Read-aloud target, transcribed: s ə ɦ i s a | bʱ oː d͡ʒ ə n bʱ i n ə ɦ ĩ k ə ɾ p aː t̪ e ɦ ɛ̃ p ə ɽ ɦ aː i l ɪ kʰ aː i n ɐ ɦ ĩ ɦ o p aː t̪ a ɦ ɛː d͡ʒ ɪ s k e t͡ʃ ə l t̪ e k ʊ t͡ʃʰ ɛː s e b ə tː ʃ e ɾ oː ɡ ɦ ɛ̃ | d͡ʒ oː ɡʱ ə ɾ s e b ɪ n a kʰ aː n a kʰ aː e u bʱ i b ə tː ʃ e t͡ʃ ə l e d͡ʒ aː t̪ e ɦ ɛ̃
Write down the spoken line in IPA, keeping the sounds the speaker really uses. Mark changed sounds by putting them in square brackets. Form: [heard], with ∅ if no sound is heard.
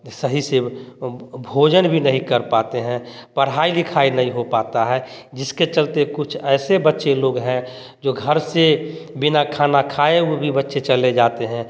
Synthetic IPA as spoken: s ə ɦ i s [e] | bʱ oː d͡ʒ ə n bʱ i n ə ɦ ĩ k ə ɾ p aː t̪ e ɦ ɛ̃ p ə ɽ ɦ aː i l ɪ kʰ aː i n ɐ ɦ ĩ ɦ o p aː t̪ a ɦ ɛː d͡ʒ ɪ s k e t͡ʃ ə l t̪ e k ʊ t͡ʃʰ ɛː s e b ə tː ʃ e [l] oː ɡ ɦ ɛ̃ | d͡ʒ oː ɡʱ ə ɾ s e b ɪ n a kʰ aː n a kʰ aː e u bʱ i b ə tː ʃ e t͡ʃ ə l e d͡ʒ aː t̪ e ɦ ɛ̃